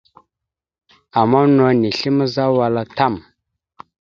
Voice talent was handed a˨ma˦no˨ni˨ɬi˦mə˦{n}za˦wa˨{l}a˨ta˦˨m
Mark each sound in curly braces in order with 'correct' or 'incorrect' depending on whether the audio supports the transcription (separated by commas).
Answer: incorrect, correct